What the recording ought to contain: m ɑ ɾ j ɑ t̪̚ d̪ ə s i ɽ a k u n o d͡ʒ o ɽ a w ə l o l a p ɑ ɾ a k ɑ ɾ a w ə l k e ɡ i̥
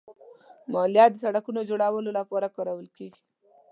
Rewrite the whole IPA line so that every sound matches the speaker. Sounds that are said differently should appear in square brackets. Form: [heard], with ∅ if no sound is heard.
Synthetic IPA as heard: m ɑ [l] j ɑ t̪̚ d̪ ə s [a] ɽ a k u n o d͡ʒ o ɽ a w ə l o l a p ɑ ɾ a k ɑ ɾ a w ə l k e ɡ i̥